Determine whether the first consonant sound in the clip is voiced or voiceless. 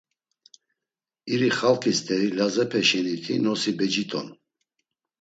voiced